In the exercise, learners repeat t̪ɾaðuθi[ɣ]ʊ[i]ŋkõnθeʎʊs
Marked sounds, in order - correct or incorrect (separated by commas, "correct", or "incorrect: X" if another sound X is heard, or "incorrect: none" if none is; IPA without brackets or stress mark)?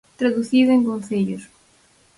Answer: incorrect: ð, incorrect: e